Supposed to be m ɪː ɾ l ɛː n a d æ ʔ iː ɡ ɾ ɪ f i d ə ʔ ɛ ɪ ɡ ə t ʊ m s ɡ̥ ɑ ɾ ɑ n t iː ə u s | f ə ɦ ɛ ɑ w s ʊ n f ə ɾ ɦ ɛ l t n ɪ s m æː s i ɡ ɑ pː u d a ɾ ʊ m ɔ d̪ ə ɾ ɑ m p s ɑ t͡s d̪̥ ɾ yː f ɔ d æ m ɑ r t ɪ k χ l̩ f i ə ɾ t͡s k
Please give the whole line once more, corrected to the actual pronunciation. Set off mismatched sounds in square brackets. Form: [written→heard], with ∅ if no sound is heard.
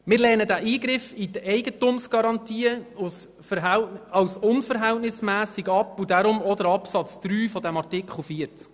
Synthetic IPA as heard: m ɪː ɾ l ɛː n [a→ə] d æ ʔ iː ɡ ɾ ɪ f i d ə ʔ ɛ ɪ ɡ ə t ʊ m s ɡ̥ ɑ ɾ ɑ n t iː ə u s | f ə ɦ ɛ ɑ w s ʊ n f ə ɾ ɦ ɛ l t n ɪ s m æː s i ɡ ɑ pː u d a ɾ ʊ m ɔ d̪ ə ɾ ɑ [m→∅] p s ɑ t͡s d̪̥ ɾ yː f ɔ d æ m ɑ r t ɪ k χ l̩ f i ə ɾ t͡s k